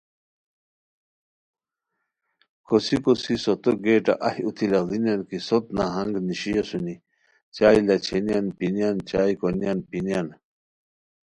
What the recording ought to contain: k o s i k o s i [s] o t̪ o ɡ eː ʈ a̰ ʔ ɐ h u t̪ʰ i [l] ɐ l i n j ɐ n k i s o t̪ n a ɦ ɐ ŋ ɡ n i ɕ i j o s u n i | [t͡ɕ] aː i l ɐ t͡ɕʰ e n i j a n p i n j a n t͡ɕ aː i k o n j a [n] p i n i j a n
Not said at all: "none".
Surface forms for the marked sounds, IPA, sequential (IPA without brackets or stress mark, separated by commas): s, l, t͡ɕ, n